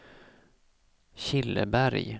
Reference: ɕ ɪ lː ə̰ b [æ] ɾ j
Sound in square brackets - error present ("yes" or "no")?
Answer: no